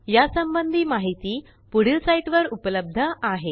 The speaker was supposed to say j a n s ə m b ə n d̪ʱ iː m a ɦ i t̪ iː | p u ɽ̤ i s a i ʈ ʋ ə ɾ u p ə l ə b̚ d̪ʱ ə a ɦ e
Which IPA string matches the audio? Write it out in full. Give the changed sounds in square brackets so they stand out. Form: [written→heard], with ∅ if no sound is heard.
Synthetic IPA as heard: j a [n→∅] s ə m b ə n d̪ʱ iː m a ɦ i t̪ iː | p u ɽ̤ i s a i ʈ ʋ ə ɾ u p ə l ə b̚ d̪ʱ ə a ɦ e